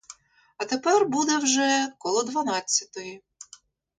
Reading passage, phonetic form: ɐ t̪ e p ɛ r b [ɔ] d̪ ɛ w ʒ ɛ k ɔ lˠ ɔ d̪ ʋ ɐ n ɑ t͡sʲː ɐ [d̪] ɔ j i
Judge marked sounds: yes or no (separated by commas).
no, no